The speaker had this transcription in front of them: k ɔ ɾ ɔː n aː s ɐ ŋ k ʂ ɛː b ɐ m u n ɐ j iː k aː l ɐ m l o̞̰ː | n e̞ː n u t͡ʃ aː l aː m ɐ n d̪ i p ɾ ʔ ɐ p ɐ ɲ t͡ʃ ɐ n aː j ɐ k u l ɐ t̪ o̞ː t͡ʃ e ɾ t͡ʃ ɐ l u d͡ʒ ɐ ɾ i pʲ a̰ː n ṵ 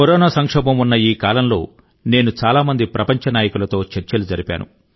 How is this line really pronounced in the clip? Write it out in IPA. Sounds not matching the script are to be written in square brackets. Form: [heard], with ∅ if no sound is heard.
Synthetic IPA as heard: k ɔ ɾ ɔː n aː s ɐ ŋ k ʂ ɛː b ɐ m u [nː] ɐ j iː k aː l ɐ m l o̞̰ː | n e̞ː n u t͡ʃ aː l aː m ɐ n d̪ i p ɾ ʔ ɐ p ɐ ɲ t͡ʃ ɐ n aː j ɐ k u l ɐ t̪ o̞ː t͡ʃ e ɾ t͡ʃ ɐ l u d͡ʒ ɐ ɾ i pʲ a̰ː n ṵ

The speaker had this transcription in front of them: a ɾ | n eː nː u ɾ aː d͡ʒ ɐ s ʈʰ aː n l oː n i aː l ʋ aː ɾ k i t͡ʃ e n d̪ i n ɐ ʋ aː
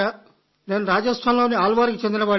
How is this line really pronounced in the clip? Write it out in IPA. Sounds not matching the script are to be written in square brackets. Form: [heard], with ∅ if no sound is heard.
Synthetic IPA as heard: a [∅] | n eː [n] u ɾ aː d͡ʒ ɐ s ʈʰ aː n l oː n i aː l ʋ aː ɾ k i t͡ʃ e n d̪ i n ɐ ʋ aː

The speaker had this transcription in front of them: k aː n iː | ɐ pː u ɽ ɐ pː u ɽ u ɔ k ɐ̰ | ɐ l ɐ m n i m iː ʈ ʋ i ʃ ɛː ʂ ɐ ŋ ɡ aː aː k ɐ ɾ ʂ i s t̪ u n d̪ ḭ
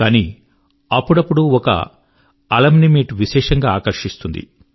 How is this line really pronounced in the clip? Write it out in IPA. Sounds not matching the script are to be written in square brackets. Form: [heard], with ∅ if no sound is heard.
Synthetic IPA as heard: k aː n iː | ɐ pː u ɽ ɐ pː u ɽ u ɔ k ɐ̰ | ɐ l ɐ m n i m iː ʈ ʋ i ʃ ɛː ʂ ɐ ŋ ɡ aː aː k ɐ ɾ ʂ i s t̪ u n d̪ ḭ

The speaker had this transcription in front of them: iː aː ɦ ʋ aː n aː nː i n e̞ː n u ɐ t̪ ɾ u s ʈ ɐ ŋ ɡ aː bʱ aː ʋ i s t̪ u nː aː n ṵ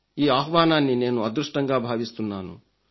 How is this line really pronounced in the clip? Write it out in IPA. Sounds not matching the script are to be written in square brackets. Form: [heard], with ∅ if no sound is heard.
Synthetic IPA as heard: iː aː ɦ ʋ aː n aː nː i n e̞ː n u ɐ [d̪] ɾ u [ʂ] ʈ ɐ ŋ ɡ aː bʱ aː ʋ i s t̪ u nː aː n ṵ

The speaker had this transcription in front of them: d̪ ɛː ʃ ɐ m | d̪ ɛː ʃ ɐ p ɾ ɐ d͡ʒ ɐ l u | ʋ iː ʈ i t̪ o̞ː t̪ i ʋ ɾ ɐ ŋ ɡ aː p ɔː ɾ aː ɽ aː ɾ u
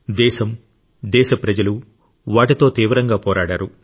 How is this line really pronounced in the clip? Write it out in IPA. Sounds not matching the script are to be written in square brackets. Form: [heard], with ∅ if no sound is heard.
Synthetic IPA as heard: d̪ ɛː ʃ ɐ m | d̪ ɛː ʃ ɐ p ɾ ɐ d͡ʒ ɐ l u | ʋ [aː] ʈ i t̪ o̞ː t̪ [iː] ʋ ɾ ɐ ŋ ɡ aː p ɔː ɾ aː ɽ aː ɾ u

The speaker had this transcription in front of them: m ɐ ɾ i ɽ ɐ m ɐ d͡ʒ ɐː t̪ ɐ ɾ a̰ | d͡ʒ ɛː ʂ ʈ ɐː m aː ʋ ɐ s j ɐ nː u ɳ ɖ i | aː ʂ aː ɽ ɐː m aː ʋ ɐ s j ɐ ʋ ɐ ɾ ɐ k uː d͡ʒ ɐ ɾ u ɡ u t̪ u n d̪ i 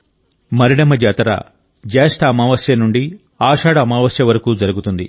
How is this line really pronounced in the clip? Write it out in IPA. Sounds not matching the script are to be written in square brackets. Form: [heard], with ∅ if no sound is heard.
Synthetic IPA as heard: m ɐ ɾ i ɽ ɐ m ɐ d͡ʒ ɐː t̪ ɐ ɾ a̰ | d͡ʒ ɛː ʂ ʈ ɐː m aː ʋ ɐ s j ɐ [n] u ɳ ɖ i | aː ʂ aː ɽ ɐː m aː ʋ ɐ s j ɐ ʋ ɐ ɾ ɐ k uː d͡ʒ ɐ ɾ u ɡ u t̪ u n d̪ i

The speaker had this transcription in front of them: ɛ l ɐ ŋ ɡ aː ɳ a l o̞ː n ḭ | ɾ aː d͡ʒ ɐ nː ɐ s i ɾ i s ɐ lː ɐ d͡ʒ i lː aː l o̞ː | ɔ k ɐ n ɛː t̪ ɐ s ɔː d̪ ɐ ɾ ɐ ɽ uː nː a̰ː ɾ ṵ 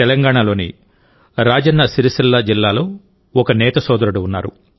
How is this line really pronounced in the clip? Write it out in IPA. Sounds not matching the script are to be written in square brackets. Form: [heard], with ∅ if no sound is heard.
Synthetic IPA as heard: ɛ l ɐ ŋ ɡ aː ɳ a l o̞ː n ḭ | ɾ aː d͡ʒ ɐ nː ɐ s i ɾ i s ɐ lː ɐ d͡ʒ i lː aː l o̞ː | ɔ k ɐ n ɛː t̪ ɐ s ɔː d̪ ɐ ɾ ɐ ɽ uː nː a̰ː ɾ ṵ

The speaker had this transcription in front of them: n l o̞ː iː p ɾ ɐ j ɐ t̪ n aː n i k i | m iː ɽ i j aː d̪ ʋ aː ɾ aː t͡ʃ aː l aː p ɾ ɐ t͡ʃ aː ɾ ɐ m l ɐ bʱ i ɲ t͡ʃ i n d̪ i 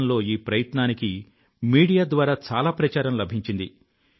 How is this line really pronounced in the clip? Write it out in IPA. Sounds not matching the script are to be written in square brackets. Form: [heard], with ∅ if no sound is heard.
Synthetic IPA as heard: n l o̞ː iː p ɾ ɐ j ɐ t̪ n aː n i k i | m iː ɽ i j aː d̪ ʋ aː ɾ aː t͡ʃ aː l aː p ɾ ɐ t͡ʃ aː ɾ ɐ m l ɐ bʱ i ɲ t͡ʃ i n d̪ i

